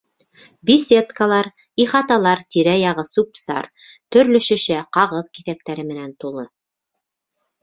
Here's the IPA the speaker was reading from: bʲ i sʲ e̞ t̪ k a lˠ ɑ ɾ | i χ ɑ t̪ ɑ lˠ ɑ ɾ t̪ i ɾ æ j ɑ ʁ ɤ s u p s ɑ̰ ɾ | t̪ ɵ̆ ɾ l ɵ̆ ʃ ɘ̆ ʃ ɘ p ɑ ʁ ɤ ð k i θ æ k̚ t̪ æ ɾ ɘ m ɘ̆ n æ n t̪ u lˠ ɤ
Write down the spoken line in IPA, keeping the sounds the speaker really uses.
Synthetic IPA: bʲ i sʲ e̞ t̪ k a lˠ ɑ ɾ | i χ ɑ t̪ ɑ lˠ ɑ ɾ t̪ i ɾ æ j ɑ ʁ ɤ s u p s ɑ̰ ɾ | t̪ ɵ̆ ɾ l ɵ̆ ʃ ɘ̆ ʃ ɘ q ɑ ʁ ɤ ð k i θ æ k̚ t̪ æ ɾ ɘ m ɘ̆ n æ n t̪ u lˠ ɤ